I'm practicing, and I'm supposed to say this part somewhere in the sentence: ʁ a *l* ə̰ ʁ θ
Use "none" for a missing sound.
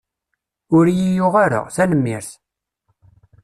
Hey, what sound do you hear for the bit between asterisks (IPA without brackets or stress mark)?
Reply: ɾ